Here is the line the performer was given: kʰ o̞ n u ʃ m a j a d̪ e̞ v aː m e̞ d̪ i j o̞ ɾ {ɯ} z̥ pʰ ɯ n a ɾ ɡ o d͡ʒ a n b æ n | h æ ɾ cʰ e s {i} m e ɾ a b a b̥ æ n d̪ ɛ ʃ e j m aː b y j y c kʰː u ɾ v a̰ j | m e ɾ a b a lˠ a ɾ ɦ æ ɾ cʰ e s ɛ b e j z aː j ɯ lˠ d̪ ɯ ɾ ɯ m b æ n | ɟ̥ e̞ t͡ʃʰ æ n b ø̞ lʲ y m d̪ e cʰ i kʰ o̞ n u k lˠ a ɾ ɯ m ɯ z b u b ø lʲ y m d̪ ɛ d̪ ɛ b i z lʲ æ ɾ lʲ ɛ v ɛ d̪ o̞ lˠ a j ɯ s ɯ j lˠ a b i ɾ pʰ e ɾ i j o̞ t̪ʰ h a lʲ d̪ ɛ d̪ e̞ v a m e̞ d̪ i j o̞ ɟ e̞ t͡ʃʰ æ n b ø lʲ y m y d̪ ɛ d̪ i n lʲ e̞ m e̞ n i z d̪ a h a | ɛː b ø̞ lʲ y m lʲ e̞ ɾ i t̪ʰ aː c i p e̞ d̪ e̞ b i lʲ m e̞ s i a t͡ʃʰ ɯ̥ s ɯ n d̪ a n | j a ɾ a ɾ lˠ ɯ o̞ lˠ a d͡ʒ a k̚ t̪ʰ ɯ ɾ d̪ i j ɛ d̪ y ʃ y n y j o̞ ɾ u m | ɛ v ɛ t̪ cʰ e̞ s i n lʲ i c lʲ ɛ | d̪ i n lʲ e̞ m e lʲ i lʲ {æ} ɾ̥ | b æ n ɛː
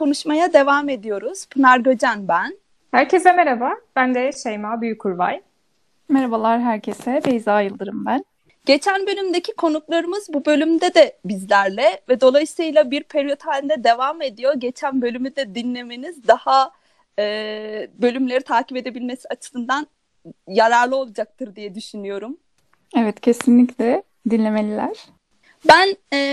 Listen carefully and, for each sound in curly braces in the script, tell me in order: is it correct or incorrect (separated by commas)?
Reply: incorrect, incorrect, correct